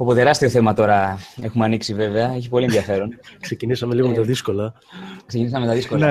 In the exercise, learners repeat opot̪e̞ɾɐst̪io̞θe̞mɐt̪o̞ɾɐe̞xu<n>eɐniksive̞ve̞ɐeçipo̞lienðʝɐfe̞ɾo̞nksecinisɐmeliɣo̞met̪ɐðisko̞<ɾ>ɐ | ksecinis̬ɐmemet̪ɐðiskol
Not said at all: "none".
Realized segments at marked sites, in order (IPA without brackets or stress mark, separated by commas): m, l